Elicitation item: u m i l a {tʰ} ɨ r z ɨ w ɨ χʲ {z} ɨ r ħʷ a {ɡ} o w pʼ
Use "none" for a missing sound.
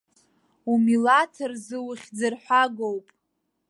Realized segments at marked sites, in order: tʰ, d͡z, ɡ

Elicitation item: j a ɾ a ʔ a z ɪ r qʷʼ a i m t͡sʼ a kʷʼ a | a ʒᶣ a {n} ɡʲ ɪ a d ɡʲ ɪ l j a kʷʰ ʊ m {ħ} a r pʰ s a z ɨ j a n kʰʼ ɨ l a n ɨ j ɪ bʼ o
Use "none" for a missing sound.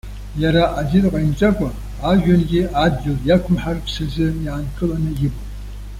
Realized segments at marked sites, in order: n, ħ

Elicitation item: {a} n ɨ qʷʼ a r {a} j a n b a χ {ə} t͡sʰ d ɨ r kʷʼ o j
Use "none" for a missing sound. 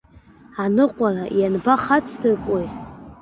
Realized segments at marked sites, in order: a, a, a

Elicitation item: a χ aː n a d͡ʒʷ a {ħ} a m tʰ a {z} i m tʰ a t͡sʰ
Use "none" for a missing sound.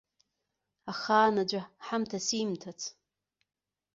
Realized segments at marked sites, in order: ħ, s

